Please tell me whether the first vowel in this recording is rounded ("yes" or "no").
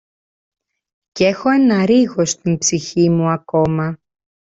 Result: no